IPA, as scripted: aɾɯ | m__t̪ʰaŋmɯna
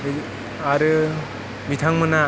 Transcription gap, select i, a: i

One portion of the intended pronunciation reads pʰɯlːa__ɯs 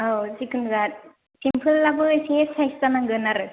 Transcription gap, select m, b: b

